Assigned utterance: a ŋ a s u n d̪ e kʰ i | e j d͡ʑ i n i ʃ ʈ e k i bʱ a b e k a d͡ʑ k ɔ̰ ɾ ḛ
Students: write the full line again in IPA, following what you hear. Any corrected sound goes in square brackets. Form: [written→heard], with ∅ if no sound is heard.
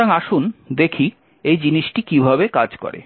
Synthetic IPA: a ŋ a [s→ʃ] u n d̪ e kʰ i | e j d͡ʑ i n i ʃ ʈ [e→i] k i bʱ a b e k a d͡ʑ k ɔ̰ ɾ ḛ